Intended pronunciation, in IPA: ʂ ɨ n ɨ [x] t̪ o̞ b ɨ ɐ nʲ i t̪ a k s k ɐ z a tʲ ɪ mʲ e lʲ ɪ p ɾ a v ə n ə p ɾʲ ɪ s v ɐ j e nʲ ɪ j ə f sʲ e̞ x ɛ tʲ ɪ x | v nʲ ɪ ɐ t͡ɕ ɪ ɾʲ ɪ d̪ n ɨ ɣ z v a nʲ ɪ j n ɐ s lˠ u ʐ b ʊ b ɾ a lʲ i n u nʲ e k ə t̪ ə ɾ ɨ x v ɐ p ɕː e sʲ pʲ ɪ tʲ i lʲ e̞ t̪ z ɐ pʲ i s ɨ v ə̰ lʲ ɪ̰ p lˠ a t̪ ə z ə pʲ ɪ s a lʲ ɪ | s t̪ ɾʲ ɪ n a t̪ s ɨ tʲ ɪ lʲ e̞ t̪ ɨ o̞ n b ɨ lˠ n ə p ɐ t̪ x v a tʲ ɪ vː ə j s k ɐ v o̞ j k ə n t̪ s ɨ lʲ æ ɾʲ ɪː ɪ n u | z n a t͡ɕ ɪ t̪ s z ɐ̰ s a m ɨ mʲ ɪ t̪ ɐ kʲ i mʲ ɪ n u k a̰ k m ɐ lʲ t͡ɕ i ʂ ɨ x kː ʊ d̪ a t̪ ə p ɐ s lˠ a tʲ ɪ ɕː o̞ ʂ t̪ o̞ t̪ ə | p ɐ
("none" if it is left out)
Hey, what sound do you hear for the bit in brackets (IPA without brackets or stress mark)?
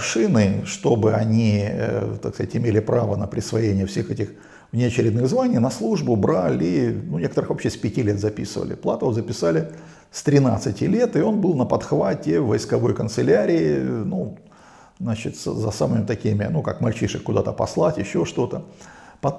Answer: ʂ